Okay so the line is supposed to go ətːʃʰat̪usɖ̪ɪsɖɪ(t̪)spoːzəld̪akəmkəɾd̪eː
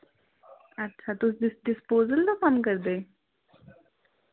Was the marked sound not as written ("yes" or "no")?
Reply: yes